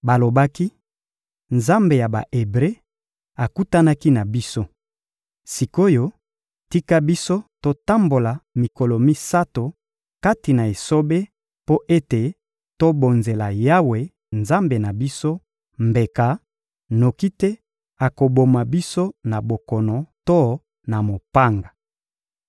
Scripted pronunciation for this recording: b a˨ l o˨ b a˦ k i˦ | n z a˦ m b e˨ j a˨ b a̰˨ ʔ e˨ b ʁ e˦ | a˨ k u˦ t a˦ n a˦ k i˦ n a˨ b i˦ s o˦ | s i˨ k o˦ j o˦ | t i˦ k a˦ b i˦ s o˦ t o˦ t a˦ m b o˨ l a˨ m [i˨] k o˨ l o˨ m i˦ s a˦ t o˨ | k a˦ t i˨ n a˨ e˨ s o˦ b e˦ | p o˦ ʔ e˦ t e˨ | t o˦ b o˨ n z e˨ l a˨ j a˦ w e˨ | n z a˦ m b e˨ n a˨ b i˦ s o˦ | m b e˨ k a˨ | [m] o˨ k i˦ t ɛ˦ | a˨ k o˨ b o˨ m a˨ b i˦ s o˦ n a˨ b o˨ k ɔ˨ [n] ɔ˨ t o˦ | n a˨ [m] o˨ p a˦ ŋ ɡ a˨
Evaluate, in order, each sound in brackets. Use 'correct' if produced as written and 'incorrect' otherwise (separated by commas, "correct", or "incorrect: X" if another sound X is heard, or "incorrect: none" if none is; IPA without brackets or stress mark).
correct, incorrect: n, correct, correct